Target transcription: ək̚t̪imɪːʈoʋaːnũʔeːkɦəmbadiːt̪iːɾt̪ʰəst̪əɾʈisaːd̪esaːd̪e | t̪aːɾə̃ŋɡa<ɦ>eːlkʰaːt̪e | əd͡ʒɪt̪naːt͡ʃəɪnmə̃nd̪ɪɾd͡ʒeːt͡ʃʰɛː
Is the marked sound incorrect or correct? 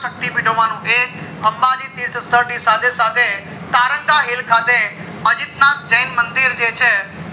correct